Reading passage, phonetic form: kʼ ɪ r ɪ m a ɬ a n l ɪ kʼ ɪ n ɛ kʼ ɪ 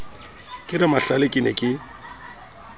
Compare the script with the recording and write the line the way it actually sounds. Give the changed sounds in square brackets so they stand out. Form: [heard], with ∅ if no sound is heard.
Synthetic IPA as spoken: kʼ ɪ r ɪ m a ɬ a [∅] l ɪ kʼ ɪ n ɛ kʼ ɪ

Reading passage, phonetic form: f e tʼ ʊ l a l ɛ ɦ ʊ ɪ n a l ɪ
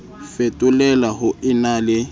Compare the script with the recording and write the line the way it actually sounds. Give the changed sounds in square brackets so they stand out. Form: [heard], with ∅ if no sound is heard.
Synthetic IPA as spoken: f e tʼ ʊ l [ɛ] l [a] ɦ ʊ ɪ n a l ɪ

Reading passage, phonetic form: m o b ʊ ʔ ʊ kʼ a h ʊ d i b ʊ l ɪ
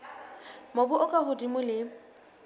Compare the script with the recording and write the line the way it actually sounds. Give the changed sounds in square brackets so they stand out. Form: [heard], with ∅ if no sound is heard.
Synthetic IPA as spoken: m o b ʊ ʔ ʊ kʼ a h ʊ d i [m] ʊ l ɪ

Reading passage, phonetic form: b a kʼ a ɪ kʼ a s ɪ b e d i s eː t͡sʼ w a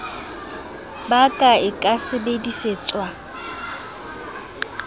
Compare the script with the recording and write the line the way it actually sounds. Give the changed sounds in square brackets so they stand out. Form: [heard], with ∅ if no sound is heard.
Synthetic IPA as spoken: b a kʼ a ɪ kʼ a s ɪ b e d i s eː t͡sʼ w a

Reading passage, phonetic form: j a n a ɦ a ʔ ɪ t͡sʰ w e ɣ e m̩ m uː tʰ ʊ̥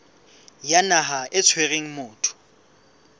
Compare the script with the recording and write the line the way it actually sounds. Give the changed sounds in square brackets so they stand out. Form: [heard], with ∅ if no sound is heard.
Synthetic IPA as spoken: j a n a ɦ a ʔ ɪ t͡sʰ w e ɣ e [ŋ̩] m [ʊː] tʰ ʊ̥

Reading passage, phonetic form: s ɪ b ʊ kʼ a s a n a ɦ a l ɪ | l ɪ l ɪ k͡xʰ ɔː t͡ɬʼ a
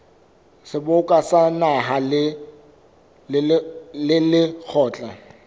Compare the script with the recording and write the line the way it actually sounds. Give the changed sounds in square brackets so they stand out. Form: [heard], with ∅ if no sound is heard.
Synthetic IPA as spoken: s ɪ b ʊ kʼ a s a n a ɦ a l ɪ | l ɪ l ɪ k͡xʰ ɔː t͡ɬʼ a

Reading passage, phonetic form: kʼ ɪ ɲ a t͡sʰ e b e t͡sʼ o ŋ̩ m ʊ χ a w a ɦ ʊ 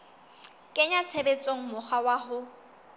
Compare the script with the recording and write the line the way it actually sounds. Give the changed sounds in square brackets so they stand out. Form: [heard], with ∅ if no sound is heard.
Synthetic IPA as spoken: kʼ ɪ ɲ a t͡sʰ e b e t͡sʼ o ŋ̩ m ʊ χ a w a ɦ ʊ

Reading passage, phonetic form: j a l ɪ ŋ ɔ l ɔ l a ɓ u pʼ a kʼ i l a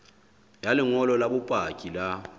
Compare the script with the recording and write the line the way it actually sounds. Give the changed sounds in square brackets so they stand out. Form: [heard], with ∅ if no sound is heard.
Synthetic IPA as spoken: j a l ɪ ŋ ɔ l ɔ l a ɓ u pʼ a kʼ i l a

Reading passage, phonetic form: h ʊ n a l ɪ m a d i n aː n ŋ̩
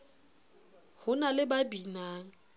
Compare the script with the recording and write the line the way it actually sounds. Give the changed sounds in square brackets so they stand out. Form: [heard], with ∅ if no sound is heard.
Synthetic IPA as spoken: h ʊ n a l ɪ [b] a [b] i n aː [∅] ŋ̩

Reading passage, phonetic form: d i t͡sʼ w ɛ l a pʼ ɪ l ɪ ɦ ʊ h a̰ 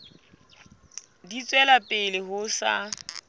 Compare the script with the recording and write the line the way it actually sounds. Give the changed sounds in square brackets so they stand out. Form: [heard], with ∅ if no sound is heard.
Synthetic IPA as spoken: d i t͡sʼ w ɛ l a pʼ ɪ l ɪ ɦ ʊ [s] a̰

